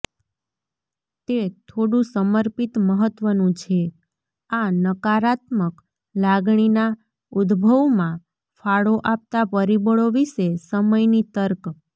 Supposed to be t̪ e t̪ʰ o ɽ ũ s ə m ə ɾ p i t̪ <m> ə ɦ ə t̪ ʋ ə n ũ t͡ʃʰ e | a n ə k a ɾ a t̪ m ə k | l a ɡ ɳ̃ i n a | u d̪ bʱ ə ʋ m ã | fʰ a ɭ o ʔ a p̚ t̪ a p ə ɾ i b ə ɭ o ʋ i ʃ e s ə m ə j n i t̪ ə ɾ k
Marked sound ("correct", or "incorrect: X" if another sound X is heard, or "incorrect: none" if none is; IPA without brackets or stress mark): correct